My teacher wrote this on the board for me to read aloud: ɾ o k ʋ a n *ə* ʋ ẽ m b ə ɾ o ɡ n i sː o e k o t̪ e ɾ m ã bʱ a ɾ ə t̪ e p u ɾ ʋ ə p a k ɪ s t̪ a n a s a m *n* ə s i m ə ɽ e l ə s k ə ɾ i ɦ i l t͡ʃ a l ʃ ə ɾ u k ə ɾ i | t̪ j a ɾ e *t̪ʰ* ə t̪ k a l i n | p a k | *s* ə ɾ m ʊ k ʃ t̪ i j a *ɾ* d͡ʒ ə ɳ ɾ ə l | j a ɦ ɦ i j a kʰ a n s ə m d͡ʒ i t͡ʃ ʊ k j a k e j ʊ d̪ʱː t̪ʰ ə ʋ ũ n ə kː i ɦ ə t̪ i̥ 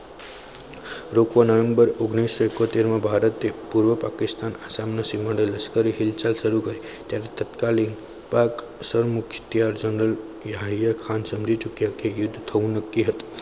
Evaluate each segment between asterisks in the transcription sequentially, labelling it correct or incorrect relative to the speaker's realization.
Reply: correct, correct, incorrect, correct, correct

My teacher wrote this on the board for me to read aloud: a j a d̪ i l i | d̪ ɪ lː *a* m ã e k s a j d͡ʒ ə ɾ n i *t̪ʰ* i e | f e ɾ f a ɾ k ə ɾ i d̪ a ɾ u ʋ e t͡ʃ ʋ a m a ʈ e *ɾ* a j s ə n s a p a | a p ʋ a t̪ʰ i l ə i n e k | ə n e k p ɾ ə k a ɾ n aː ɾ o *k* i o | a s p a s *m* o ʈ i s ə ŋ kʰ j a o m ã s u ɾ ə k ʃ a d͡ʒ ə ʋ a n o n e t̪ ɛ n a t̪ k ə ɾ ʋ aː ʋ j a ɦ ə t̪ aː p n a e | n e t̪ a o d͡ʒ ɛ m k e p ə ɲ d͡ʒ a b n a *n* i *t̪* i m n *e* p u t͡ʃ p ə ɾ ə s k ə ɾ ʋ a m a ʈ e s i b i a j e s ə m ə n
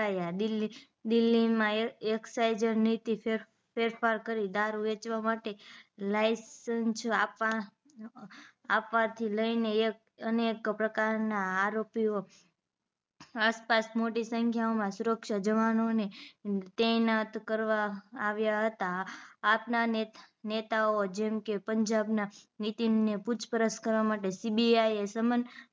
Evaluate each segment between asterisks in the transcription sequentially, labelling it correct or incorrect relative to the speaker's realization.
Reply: incorrect, incorrect, incorrect, incorrect, correct, correct, correct, correct

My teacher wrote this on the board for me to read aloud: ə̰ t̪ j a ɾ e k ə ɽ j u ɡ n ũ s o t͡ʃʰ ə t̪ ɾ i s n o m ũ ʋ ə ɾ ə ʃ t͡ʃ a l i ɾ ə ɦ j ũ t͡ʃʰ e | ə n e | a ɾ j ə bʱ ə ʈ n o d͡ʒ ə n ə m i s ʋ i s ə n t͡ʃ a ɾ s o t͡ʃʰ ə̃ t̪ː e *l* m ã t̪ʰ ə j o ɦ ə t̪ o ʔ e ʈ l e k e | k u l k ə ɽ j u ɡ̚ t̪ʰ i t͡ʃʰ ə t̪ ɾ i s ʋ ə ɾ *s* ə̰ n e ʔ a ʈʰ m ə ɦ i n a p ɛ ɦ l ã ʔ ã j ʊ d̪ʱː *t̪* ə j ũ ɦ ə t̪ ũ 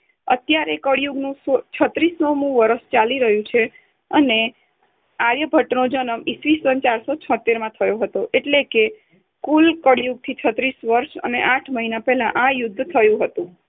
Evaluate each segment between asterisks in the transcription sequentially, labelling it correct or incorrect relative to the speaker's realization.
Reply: incorrect, incorrect, incorrect

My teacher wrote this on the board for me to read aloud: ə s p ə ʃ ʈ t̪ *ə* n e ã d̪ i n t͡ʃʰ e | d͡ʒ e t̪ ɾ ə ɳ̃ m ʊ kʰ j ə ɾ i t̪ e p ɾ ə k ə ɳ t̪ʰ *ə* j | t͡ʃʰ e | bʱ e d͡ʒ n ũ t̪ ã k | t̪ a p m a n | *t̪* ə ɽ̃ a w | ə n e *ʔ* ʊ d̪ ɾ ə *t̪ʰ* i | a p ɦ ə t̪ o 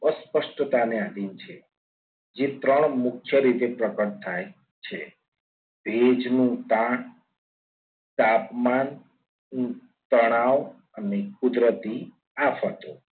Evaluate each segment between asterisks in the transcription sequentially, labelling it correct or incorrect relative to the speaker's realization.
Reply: incorrect, incorrect, correct, incorrect, incorrect

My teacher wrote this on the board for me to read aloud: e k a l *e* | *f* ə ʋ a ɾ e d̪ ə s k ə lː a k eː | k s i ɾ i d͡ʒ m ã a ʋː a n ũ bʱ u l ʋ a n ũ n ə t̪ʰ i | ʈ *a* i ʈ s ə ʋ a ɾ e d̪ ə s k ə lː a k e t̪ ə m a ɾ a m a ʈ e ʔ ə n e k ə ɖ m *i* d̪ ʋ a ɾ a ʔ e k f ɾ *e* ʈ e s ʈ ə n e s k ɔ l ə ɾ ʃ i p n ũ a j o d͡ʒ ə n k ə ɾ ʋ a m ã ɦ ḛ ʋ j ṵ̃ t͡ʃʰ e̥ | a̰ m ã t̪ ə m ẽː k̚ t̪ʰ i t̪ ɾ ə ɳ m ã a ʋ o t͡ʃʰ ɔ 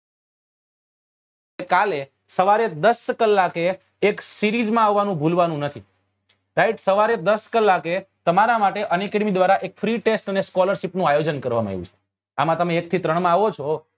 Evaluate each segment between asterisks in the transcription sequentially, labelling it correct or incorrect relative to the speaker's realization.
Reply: correct, incorrect, correct, correct, incorrect

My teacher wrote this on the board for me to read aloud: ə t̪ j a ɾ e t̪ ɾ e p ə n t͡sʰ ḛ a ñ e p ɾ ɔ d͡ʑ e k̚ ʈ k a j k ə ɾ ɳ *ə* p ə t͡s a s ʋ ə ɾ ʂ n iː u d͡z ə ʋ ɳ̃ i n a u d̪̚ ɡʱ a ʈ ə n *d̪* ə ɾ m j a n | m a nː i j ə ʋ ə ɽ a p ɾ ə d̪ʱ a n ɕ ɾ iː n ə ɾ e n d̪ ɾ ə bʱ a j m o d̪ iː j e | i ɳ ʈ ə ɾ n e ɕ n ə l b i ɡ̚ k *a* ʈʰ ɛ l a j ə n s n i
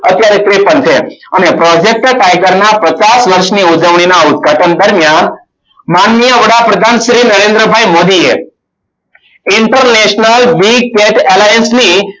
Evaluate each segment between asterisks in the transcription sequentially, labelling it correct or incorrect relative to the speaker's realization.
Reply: incorrect, correct, incorrect

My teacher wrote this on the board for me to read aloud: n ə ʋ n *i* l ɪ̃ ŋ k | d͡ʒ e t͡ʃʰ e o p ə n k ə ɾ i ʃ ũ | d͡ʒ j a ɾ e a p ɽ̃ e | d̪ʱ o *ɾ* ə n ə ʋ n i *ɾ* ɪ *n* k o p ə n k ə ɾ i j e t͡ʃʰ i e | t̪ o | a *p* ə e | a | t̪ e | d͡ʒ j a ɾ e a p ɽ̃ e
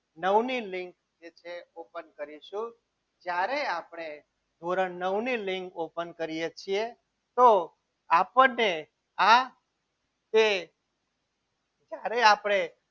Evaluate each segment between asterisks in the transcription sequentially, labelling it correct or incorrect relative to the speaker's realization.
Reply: correct, correct, incorrect, incorrect, correct

